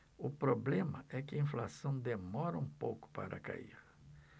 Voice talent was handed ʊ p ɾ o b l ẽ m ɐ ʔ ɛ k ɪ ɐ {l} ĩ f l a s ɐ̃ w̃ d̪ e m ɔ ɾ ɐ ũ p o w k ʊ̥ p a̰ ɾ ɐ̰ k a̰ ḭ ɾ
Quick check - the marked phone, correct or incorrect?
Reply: incorrect